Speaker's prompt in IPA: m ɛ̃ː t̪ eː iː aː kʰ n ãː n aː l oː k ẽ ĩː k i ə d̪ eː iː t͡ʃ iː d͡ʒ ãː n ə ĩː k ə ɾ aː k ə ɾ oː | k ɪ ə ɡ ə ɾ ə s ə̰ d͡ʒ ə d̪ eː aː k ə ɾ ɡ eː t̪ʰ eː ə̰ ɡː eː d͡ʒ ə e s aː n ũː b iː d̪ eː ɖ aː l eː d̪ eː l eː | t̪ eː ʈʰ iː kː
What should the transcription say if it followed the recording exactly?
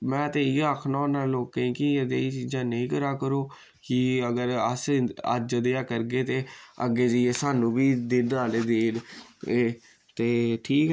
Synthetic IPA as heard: m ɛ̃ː t̪ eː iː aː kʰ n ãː n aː l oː k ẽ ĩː k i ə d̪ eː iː t͡ʃ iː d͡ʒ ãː n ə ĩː k ə ɾ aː k ə ɾ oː | k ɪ ə ɡ ə ɾ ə s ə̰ d͡ʒ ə d̪ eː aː k ə ɾ ɡ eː t̪ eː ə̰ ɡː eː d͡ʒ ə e s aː n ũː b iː d̪ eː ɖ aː l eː d̪ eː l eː | t̪ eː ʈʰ iː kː